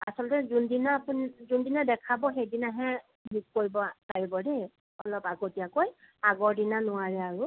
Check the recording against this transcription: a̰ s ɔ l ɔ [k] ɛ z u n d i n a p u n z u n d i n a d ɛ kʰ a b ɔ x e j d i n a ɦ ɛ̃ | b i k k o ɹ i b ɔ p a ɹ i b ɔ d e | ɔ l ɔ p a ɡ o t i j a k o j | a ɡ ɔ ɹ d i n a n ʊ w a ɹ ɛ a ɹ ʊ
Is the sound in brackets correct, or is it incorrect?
incorrect